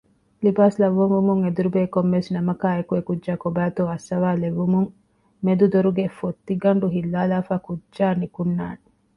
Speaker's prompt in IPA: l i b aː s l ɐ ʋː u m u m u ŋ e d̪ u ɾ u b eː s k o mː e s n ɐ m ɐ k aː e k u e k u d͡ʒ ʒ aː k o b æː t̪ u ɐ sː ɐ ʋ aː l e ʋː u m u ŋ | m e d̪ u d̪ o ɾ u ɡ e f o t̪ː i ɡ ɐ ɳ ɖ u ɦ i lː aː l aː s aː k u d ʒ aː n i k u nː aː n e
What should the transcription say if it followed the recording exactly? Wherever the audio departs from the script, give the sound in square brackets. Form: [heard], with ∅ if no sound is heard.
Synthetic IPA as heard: l i b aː s l ɐ ʋː u m u m u ŋ e d̪ u ɾ u b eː [∅] k o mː e s n ɐ m ɐ k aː e k u e k u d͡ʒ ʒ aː k o b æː t̪ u ɐ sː ɐ ʋ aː l e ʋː u m u ŋ | m e d̪ u d̪ o ɾ u ɡ e f o t̪ː i ɡ ɐ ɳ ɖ u ɦ i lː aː l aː [f] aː k u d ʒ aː n i k u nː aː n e